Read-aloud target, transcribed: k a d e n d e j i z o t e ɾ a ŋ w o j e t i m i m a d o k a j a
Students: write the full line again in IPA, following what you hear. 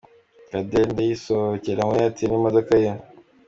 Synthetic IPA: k a d e n d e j i s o c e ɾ a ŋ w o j a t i n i m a d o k a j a